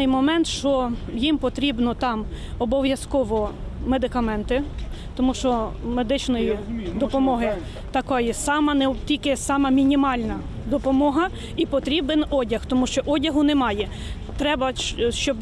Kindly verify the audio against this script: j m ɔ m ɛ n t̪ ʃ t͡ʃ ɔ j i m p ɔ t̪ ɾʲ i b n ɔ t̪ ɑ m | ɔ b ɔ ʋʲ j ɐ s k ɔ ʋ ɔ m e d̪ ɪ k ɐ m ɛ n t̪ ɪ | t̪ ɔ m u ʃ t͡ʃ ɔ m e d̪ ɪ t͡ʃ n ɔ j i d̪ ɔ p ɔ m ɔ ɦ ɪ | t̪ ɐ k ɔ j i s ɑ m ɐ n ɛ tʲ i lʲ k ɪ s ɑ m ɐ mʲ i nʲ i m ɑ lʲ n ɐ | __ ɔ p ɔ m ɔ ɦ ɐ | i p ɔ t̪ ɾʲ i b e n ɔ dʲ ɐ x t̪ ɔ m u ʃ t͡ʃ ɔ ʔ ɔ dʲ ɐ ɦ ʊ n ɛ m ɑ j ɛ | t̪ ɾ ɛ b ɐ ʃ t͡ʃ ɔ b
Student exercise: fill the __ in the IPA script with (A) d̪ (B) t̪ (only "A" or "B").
A